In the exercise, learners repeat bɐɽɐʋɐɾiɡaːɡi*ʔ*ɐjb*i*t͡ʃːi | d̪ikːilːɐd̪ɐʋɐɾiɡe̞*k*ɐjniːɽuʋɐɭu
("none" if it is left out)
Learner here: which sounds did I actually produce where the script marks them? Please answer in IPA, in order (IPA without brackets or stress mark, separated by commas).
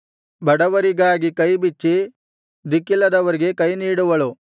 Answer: k, i, k